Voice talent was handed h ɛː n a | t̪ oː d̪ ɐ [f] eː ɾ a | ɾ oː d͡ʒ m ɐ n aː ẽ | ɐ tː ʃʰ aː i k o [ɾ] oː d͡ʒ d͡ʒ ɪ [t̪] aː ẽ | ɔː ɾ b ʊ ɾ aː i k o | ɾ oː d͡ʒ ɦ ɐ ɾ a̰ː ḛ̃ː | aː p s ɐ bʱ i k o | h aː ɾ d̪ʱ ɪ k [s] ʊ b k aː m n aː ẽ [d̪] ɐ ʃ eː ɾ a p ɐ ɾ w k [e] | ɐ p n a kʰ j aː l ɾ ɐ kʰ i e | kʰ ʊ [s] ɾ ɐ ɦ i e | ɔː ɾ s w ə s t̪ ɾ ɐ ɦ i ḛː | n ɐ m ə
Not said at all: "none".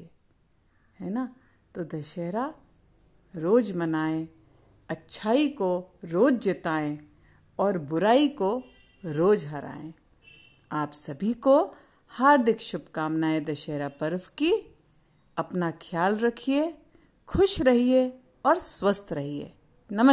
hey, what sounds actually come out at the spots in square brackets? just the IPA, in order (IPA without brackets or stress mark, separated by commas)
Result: ʃ, ɾ, t̪, ʃ, d̪, i, ʃ